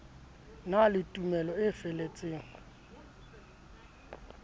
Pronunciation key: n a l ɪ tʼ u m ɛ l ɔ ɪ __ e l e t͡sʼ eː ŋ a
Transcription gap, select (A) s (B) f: B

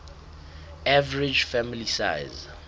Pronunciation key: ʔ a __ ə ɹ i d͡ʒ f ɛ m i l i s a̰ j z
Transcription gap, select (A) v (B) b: A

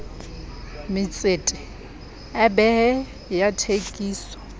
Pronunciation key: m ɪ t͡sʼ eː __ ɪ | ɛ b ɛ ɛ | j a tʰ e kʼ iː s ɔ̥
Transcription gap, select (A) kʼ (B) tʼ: B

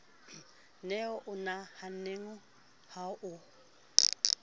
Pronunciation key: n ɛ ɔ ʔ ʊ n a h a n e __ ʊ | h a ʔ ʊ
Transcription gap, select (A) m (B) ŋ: B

